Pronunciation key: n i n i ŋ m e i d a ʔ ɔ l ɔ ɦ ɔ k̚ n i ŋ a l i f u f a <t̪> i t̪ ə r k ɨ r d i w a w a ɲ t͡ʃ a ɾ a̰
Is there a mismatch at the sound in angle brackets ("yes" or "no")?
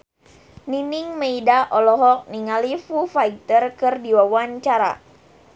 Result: yes